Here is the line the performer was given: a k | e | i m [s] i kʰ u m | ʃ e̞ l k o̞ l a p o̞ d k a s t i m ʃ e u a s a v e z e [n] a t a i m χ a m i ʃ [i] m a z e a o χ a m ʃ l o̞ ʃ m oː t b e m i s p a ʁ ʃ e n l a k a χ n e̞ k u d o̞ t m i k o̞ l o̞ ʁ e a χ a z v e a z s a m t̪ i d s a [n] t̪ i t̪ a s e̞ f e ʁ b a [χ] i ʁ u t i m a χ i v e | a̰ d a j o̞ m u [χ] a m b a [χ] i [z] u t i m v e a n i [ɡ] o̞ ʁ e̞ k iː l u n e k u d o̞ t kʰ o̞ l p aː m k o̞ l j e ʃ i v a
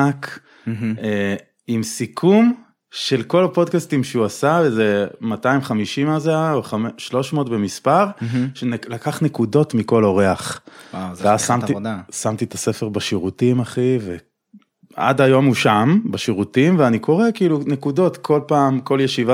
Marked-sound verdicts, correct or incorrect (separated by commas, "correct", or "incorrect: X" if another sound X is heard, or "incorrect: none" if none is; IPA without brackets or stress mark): correct, incorrect: m, correct, incorrect: m, incorrect: ʃ, incorrect: ʃ, incorrect: ʃ, incorrect: ʁ, incorrect: k